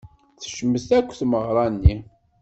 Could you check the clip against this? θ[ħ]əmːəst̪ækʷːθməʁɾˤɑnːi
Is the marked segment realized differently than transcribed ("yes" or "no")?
yes